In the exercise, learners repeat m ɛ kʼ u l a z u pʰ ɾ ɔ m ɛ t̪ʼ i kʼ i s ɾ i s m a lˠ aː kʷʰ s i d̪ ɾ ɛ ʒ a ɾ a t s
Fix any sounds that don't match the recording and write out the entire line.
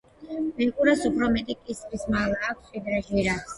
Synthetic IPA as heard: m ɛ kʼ u ɾ a s u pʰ ɾ ɔ m ɛ t̪ʼ i kʼ i s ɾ i s m a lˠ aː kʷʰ s i d̪ ɾ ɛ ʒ i ɾ a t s